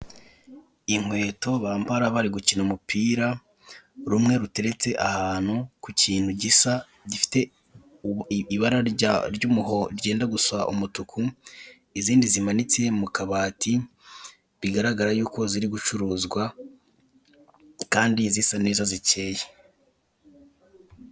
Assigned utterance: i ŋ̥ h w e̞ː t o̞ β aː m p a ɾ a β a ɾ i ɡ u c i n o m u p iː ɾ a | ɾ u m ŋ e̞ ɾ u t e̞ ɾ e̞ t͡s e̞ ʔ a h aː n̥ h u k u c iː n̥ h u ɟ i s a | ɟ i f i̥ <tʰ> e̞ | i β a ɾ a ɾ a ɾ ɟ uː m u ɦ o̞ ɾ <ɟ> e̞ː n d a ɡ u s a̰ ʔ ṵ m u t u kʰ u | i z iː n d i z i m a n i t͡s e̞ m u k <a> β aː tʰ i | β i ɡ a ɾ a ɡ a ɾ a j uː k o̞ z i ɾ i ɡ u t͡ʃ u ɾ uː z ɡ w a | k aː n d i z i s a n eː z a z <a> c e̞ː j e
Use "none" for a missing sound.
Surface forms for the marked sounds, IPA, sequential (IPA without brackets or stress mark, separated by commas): t, ɟ, a, i